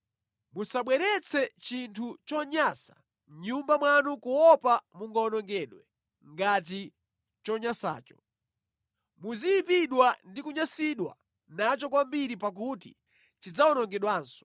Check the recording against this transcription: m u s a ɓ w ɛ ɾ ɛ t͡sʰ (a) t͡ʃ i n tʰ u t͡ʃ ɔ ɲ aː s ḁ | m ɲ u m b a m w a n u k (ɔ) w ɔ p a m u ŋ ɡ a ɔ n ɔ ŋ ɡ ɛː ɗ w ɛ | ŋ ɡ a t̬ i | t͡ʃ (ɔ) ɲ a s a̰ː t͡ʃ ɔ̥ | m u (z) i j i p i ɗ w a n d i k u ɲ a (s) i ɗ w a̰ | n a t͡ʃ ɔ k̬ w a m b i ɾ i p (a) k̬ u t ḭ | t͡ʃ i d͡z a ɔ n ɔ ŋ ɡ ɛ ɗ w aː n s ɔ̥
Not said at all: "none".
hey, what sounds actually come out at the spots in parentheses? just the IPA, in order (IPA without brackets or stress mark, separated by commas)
ɛ, u, ɔ, z, s, a